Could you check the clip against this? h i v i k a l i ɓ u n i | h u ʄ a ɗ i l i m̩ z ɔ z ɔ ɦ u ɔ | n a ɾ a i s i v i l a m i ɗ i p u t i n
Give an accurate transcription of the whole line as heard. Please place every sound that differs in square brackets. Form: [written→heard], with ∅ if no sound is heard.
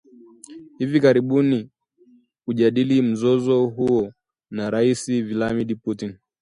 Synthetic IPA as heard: h i v i k a [l→ɾ] i ɓ u n i | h u ʄ a ɗ i l i m̩ z ɔ z ɔ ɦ u ɔ | n a ɾ a i s i v i l a m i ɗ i p u t i n